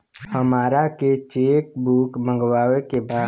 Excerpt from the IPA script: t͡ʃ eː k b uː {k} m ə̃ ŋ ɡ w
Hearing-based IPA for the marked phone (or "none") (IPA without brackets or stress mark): k